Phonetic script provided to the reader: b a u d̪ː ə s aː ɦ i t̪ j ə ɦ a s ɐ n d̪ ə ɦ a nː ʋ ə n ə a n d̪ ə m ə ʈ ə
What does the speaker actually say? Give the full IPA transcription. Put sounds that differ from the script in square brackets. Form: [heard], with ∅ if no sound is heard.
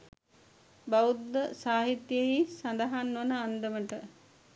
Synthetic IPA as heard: b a u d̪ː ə s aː ɦ i t̪ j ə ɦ [i] s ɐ n d̪ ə ɦ a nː ʋ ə n ə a n d̪ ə m ə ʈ ə